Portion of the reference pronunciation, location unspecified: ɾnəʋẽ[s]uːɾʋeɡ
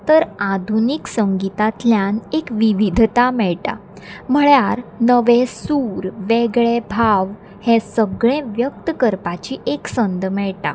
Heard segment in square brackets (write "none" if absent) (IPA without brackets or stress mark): s